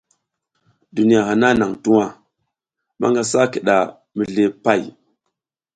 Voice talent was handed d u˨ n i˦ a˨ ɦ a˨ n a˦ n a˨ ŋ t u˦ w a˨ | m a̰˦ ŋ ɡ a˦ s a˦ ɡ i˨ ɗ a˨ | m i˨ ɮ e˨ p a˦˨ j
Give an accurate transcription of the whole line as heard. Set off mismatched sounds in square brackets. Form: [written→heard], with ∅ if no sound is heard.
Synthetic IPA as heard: d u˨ n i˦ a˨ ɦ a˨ n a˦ n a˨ ŋ t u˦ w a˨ | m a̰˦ ŋ ɡ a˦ s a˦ [ɡ→k] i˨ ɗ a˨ | m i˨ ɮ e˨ p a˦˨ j